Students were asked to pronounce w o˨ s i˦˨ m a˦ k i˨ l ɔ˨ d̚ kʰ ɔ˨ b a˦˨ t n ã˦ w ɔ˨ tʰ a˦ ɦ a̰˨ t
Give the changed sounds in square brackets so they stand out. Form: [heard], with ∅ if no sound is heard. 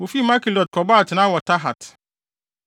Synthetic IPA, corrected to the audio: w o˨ [f] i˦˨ m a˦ k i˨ l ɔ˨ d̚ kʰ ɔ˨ b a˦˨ t n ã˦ w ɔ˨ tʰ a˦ ɦ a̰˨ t